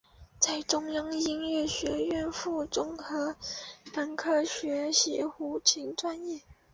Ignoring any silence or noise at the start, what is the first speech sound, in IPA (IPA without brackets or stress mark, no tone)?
t͡s